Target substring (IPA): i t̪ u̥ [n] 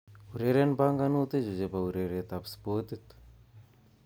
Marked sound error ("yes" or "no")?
yes